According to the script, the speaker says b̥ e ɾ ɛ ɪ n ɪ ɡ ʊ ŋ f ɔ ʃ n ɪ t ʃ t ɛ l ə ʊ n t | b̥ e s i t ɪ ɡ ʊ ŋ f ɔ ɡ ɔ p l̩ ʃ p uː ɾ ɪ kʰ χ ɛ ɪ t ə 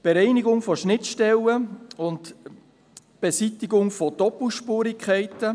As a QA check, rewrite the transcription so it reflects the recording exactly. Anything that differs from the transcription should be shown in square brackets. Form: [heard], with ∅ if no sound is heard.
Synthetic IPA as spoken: b̥ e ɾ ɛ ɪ n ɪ ɡ ʊ ŋ f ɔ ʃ n ɪ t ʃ t ɛ l ə ʊ n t | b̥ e s i t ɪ ɡ ʊ ŋ f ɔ [d] ɔ p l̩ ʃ p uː ɾ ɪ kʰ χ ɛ ɪ t ə